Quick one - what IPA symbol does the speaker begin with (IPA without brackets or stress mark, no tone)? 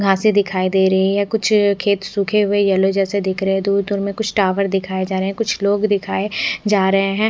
ɡʱ